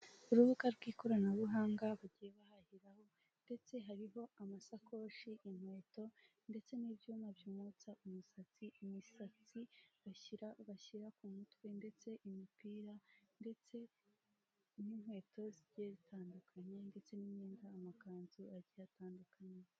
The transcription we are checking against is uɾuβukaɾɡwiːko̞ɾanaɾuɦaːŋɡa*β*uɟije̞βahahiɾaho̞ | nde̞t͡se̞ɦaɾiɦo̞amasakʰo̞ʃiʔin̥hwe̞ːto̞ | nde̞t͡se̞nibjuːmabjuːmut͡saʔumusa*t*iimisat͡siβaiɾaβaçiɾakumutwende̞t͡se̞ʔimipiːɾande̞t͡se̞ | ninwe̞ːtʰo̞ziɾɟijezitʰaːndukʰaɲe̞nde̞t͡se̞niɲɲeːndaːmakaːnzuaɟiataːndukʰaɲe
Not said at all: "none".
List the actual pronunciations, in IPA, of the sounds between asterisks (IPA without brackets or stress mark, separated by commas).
β, t͡s